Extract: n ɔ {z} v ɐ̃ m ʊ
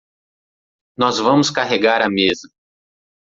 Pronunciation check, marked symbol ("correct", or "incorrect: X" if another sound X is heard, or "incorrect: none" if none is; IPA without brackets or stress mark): correct